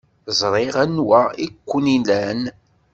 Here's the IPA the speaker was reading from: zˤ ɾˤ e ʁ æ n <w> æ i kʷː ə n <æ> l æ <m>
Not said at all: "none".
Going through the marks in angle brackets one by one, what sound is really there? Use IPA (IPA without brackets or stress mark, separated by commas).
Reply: w, i, n